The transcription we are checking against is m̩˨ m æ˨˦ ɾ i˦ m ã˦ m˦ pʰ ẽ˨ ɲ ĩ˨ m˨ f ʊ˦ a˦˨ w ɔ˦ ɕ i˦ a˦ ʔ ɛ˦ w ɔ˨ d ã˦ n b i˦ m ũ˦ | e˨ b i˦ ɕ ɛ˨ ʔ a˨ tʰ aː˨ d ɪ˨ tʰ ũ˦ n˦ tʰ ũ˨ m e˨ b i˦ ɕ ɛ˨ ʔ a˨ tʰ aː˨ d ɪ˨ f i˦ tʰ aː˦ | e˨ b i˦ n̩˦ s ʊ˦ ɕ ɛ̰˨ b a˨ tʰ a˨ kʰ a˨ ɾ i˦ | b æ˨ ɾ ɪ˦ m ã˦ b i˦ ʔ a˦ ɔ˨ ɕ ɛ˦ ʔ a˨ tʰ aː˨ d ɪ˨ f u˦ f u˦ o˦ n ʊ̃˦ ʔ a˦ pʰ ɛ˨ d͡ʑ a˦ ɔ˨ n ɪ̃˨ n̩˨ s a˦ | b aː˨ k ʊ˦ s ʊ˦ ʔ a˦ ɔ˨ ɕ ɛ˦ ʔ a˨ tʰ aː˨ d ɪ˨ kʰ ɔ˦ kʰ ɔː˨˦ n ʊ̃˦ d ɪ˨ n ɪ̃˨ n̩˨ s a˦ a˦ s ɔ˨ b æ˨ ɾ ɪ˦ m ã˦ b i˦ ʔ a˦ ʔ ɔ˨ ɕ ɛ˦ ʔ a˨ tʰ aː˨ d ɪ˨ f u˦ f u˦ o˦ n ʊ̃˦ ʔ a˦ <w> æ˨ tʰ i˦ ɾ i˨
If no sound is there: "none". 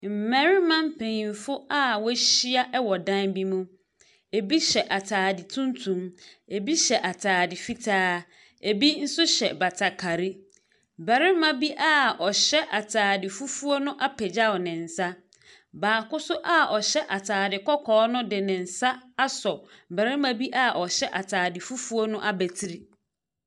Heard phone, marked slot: b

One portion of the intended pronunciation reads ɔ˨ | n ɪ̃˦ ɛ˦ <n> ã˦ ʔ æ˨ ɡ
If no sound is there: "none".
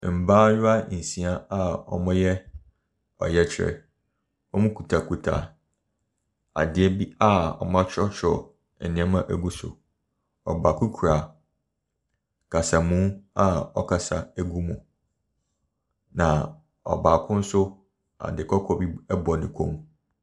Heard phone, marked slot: m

